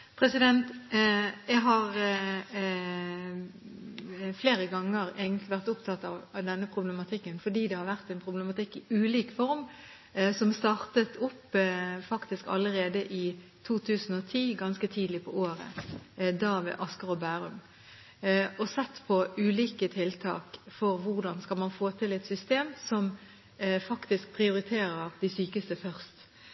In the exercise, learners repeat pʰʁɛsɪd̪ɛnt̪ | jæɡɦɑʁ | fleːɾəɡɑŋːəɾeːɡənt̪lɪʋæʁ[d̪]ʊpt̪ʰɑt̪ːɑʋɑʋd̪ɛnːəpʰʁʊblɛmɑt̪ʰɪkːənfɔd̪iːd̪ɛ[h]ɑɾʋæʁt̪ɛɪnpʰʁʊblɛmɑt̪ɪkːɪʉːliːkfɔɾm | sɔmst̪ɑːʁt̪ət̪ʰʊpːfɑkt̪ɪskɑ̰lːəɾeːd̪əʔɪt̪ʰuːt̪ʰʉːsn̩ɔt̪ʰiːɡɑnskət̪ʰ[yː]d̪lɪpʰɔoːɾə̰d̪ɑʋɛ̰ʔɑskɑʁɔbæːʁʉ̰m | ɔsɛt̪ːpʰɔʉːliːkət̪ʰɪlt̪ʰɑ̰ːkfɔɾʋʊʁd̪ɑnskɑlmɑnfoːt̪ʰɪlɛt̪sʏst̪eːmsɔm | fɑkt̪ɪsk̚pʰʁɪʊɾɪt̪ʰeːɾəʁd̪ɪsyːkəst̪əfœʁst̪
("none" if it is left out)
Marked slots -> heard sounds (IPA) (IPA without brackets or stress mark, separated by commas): t̪, h, iː